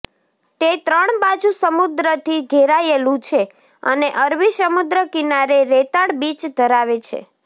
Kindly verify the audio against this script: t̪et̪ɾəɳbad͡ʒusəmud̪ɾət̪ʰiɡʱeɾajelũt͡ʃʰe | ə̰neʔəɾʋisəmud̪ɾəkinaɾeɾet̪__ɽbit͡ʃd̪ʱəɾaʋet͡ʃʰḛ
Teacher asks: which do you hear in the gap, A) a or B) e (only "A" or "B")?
A